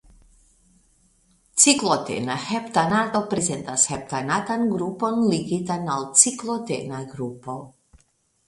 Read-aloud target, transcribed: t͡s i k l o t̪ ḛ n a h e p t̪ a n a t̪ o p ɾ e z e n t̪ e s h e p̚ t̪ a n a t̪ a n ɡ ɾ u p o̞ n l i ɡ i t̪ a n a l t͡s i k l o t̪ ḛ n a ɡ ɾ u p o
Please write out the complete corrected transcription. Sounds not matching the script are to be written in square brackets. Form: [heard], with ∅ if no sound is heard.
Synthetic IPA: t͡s i k l o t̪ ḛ n a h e p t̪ a n a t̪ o p ɾ e z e n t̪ [a] s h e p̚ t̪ a n a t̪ a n ɡ ɾ u p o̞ n l i ɡ i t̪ a n a l t͡s i k l o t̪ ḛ n a ɡ ɾ u p o